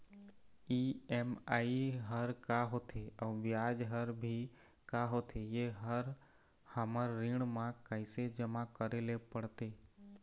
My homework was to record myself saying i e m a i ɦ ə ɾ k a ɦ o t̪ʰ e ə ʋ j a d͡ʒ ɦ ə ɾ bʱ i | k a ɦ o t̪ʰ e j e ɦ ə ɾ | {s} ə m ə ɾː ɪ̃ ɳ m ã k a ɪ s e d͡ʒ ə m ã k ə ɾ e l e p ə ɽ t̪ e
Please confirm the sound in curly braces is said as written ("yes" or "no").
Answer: no